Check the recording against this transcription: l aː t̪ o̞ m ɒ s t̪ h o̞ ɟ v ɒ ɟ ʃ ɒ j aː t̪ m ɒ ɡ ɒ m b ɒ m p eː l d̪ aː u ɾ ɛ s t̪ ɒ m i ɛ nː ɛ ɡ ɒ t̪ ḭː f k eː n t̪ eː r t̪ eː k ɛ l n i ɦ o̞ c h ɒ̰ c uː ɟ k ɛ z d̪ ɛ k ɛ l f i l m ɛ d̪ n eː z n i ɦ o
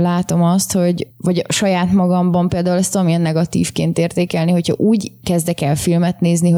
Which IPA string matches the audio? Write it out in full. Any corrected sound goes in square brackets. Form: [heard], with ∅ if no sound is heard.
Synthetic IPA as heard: l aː t̪ o̞ m ɒ s t̪ h o̞ ɟ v ɒ ɟ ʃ ɒ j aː t̪ m ɒ ɡ ɒ m b ɒ m p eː l d̪ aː u [l] ɛ s t̪ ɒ m i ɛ nː ɛ ɡ ɒ t̪ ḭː f k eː n t̪ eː r t̪ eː k ɛ l n i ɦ o̞ c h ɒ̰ [ʔ] uː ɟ k ɛ z d̪ ɛ k ɛ l f i l m ɛ [t̪] n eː z n i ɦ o